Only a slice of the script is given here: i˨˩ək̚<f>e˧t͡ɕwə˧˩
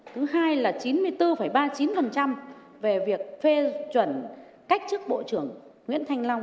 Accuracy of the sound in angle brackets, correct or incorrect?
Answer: correct